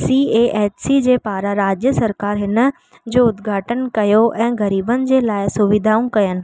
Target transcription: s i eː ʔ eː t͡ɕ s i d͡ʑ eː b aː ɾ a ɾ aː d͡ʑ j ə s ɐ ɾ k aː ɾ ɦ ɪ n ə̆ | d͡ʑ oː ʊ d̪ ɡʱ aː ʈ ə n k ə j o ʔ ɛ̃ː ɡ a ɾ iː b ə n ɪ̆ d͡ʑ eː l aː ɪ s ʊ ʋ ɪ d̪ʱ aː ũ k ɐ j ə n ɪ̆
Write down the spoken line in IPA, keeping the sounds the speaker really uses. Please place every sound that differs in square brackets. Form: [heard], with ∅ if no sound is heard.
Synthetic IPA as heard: s i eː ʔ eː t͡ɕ s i d͡ʑ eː [p] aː ɾ a ɾ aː d͡ʑ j ə s ɐ ɾ k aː ɾ ɦ ɪ n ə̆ | d͡ʑ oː ʊ d̪ ɡʱ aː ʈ ə n k [ɐ] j o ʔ ɛ̃ː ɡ [ɐ] ɾ iː b ə n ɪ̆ d͡ʑ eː l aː ɪ s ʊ ʋ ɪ d̪ʱ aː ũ k ɐ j ə n ɪ̆